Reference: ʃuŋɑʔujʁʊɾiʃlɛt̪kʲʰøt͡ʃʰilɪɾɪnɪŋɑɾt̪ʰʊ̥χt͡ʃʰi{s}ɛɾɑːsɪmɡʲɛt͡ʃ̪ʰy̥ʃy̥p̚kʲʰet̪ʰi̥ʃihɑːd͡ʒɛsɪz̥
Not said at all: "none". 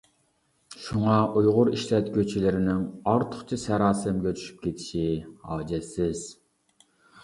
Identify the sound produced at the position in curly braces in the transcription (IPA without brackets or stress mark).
s